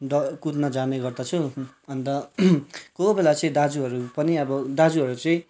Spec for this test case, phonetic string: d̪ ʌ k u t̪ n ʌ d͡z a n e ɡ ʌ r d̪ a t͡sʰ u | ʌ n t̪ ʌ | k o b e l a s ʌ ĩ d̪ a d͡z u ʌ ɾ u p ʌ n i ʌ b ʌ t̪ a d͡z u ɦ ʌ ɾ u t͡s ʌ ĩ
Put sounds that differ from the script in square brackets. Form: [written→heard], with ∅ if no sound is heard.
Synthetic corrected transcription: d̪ ʌ k u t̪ n ʌ d͡z a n e ɡ ʌ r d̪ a t͡sʰ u | ʌ n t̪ ʌ | k o b e l a [s→t͡s] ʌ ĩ d̪ a d͡z u ʌ ɾ u p ʌ n i ʌ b ʌ [t̪→d̪] a d͡z u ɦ ʌ ɾ u t͡s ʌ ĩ